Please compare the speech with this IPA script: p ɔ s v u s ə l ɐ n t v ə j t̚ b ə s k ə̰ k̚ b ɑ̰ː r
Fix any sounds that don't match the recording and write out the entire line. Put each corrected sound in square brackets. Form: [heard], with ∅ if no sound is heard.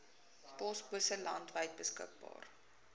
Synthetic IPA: p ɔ s [b] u s ə l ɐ n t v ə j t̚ b ə s k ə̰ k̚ b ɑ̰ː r